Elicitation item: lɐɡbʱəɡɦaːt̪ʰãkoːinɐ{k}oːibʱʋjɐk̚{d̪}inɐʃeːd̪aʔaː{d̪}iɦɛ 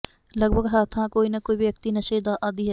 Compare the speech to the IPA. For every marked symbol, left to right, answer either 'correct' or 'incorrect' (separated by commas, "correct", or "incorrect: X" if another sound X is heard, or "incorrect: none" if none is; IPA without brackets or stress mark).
correct, incorrect: t̪, correct